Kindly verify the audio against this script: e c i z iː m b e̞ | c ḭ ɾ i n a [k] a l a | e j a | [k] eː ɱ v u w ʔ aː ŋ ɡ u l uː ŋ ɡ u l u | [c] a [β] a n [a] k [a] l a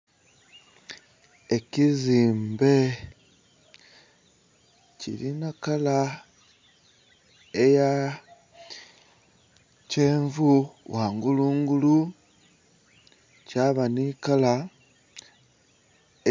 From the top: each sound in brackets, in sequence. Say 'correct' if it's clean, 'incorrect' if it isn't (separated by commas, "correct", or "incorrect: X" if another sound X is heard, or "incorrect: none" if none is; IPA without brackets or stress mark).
correct, incorrect: c, correct, correct, incorrect: i, correct